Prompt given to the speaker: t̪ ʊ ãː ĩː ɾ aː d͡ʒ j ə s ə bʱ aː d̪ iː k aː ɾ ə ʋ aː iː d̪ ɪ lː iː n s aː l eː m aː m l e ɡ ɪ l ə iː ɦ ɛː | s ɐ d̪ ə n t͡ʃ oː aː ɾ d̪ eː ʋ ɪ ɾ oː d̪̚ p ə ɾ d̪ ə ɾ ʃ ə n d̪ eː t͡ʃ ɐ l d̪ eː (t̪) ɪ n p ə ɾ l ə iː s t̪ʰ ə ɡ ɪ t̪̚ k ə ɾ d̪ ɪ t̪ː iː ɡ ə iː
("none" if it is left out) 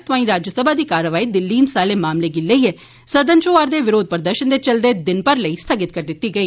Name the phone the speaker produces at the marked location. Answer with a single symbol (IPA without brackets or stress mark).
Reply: d̪